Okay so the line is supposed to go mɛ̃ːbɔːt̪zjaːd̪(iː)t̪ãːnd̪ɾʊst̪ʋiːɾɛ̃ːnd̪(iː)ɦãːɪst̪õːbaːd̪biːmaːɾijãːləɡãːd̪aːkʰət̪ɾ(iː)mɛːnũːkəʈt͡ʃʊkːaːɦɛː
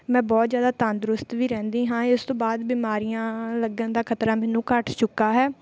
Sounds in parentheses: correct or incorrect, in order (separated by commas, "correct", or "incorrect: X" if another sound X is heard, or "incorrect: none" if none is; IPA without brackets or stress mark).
incorrect: aː, correct, incorrect: aː